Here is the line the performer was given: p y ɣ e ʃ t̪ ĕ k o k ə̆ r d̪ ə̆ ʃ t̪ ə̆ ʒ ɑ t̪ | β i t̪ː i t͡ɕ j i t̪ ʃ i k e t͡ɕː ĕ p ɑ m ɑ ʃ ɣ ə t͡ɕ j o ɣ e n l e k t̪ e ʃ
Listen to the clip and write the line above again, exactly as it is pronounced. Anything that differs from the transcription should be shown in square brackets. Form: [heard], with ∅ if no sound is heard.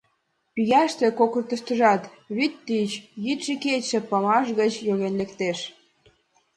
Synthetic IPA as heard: p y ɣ [æ] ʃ t̪ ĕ k o k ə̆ r [t̪] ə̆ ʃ t̪ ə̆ ʒ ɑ t̪ | β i t̪ː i t͡ɕ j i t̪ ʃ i k e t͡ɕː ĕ p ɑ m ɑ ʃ ɣ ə t͡ɕ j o ɣ e n l e k t̪ e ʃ

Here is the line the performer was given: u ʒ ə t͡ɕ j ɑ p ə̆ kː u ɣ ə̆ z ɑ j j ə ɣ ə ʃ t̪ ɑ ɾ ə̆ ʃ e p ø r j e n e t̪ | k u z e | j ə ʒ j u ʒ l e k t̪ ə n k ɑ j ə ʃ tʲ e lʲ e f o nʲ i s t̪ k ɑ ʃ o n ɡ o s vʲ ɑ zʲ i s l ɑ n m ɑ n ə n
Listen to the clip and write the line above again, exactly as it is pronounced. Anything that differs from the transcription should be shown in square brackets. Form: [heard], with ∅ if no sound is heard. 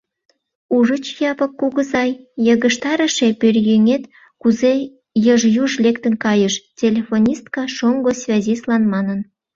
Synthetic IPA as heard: u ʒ ə t͡ɕ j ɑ p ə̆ kː u ɣ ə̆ z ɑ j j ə ɣ ə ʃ t̪ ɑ ɾ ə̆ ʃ e p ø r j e [ŋ] e t̪ | k u z e | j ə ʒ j u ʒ l e k t̪ ə n k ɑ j ə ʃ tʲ e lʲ e f o nʲ i s t̪ k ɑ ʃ o [ŋ] ɡ o s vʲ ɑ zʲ i s l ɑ n m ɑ n ə n

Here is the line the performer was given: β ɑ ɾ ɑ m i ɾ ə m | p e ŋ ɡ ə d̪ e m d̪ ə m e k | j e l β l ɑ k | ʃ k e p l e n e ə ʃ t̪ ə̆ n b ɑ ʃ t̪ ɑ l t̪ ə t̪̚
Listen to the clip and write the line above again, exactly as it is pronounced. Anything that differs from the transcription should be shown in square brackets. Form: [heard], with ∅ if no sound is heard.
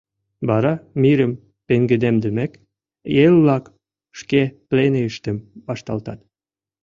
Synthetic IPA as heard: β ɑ ɾ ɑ m i ɾ ə m | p e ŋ ɡ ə d̪ e m d̪ ə m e k | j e l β l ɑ k | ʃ k e p l e n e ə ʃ t̪ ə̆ [m] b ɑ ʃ t̪ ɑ l t̪ [ɑ] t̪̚

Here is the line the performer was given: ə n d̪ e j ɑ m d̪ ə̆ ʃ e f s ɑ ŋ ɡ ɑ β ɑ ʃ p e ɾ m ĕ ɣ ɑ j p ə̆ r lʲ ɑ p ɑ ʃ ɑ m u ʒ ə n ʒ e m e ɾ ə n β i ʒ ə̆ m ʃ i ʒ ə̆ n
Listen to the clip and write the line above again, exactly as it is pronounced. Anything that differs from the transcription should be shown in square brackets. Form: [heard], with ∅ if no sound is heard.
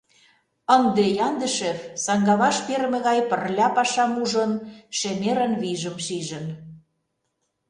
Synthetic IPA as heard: ə n d̪ e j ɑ [n] d̪ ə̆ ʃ e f s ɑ ŋ ɡ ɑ β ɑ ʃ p e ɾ m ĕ ɣ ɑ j p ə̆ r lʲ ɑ p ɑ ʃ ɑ m u ʒ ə n [ʃ] e m e ɾ ə n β i ʒ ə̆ m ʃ i ʒ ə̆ n

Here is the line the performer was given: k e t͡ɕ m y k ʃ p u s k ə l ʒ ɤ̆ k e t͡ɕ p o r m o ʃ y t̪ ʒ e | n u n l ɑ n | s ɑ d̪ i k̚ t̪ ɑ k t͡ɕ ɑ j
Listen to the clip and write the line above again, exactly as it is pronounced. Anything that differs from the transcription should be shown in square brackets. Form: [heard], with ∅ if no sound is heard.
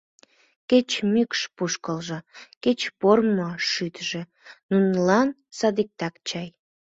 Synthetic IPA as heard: k e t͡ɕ m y k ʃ p u [ʃ] k ə l ʒ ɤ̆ k e t͡ɕ p o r m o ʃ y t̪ ʒ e | n u n l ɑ n | s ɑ d̪ i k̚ t̪ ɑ k t͡ɕ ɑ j

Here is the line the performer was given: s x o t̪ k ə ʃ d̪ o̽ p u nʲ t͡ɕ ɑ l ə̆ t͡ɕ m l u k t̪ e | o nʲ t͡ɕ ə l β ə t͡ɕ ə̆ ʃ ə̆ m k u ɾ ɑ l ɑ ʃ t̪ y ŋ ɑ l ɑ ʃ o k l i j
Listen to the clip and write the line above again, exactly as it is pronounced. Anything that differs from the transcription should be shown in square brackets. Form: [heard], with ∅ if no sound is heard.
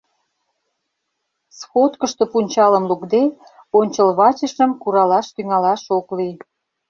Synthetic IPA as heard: s x o t̪ k ə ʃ [t̪] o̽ p u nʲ t͡ɕ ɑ l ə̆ [∅] m l u k [d̪] e | o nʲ t͡ɕ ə l β [ɑ] t͡ɕ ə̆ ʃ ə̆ m k u ɾ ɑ l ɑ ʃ t̪ y ŋ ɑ l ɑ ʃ o k l i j

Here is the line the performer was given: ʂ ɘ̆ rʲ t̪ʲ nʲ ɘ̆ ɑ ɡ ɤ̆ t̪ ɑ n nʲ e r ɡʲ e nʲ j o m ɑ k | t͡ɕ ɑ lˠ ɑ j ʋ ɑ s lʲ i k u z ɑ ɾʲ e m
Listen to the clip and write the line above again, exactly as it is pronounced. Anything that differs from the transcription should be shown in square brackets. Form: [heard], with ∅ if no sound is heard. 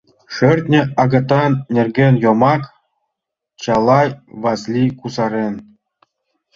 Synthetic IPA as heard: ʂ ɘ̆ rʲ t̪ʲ nʲ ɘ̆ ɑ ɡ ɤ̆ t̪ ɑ n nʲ e r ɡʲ e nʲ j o m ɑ k | t͡ɕ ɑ lˠ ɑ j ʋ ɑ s lʲ i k u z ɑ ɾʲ e [n]

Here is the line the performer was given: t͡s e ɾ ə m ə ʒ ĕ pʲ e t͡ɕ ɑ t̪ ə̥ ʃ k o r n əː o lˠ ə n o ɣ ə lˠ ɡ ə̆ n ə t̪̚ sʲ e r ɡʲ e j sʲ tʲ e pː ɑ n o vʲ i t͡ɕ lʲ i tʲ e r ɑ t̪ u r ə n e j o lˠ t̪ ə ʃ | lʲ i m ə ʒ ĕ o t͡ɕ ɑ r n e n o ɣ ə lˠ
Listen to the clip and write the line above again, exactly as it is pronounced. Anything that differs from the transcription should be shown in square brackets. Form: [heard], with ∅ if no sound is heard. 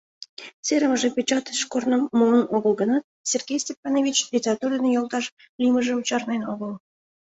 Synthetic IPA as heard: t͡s e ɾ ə m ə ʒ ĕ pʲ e t͡ɕ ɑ t̪ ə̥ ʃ k o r n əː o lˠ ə n o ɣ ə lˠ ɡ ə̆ n [ɑ] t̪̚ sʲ e r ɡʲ e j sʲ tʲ e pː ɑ n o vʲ i t͡ɕ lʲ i tʲ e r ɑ t̪ u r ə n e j o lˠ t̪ [ɑ] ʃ | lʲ i m ə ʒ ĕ [u] t͡ɕ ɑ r n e n o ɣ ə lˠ

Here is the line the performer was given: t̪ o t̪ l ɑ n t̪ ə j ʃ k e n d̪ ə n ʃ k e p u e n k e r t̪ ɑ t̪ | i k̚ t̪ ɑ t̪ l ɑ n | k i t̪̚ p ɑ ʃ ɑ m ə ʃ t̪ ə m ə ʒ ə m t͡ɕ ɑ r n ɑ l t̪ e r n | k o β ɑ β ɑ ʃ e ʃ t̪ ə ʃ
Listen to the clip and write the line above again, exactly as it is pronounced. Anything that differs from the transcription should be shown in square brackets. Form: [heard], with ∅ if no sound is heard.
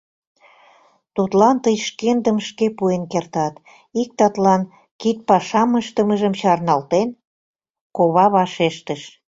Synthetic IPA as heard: t̪ [u] t̪ l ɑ n t̪ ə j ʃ k e n d̪ ə [m] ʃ k e p u e n k e r t̪ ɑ t̪ | i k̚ t̪ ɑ t̪ l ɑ n | k i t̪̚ p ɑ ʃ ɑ m ə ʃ t̪ ə m ə ʒ ə m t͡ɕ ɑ r n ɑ l t̪ e [∅] n | k o β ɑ β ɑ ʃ e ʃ t̪ ə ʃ

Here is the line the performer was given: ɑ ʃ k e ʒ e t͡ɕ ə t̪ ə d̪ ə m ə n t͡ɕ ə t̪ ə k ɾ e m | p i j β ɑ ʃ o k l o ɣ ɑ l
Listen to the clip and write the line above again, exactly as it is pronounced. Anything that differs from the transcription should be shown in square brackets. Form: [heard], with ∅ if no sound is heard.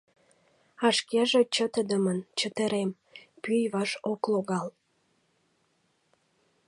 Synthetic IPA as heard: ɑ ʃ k e ʒ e t͡ɕ ə t̪ ə d̪ ə m ə n t͡ɕ ə t̪ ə [∅] ɾ e m | p [y] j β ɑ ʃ o k l o ɣ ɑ l

